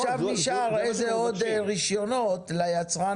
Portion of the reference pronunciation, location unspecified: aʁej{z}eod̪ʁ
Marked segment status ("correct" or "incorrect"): correct